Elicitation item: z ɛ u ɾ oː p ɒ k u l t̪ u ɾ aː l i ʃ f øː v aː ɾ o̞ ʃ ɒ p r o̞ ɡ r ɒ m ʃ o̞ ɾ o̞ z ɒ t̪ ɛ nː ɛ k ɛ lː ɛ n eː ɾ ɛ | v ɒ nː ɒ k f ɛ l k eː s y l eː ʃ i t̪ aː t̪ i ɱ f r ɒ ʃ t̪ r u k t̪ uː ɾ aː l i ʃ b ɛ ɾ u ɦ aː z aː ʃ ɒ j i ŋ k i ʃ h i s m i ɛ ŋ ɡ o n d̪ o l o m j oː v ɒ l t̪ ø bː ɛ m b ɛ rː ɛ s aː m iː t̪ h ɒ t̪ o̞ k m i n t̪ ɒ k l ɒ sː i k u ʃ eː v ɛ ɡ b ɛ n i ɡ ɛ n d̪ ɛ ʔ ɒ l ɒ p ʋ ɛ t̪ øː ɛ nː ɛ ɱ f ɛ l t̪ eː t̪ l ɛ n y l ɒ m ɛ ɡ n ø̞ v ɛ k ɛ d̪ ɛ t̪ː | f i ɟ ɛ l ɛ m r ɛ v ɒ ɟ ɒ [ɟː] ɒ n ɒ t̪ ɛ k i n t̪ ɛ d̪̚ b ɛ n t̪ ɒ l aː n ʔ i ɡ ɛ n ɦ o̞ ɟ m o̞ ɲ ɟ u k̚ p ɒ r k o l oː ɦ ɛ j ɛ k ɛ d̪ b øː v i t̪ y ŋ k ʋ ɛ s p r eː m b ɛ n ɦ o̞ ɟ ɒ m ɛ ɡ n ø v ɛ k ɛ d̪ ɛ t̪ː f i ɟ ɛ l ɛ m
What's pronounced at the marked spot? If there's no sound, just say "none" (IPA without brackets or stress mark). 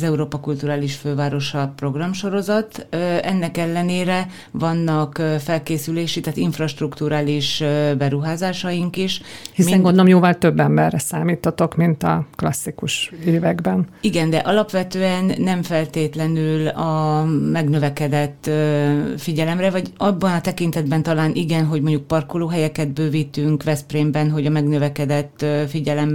bː